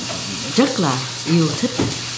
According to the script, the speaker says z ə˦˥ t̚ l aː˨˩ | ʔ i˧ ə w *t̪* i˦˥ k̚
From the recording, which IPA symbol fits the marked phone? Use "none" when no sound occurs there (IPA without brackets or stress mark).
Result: t̪ʰ